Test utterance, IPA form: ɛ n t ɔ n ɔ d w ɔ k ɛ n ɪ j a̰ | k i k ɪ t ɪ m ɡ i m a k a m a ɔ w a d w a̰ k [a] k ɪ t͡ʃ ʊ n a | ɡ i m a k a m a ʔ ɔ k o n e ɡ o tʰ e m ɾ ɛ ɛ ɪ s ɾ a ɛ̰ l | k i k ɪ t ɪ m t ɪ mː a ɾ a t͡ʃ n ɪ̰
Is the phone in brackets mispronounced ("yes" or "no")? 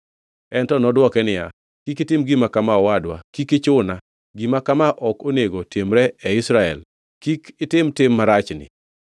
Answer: yes